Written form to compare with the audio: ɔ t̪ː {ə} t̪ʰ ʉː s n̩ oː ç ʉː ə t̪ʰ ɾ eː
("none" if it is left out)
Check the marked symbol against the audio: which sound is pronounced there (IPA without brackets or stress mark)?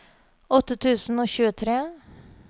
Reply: ə